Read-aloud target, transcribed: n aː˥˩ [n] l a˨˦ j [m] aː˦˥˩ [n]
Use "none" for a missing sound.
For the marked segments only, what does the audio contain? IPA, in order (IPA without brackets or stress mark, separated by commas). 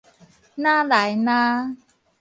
none, n, none